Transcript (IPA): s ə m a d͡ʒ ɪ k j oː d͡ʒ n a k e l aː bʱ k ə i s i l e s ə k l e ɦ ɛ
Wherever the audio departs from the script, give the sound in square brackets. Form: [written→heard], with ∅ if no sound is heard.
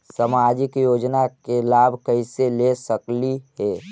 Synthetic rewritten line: s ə m a d͡ʒ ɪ k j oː d͡ʒ n a k e l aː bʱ k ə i s [i→e] l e s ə k l [e→i] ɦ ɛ